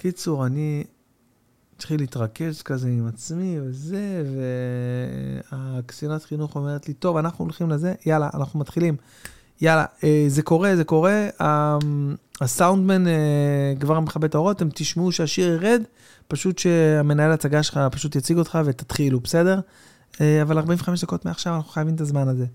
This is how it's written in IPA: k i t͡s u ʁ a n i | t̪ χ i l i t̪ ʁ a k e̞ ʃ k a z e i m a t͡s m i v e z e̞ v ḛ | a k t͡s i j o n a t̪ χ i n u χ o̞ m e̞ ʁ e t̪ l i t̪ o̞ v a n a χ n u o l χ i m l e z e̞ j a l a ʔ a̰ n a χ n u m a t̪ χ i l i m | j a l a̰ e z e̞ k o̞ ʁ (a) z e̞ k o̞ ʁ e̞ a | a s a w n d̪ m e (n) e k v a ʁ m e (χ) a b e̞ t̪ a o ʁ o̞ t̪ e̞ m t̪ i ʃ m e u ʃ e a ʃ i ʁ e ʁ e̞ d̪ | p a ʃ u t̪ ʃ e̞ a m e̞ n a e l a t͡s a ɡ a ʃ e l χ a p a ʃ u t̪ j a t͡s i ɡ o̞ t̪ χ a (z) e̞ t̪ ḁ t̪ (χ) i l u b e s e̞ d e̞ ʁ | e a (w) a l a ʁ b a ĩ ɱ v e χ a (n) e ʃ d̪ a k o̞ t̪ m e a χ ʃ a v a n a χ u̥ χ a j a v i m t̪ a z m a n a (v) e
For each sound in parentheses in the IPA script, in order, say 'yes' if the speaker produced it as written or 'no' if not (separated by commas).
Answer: no, yes, yes, no, yes, no, no, no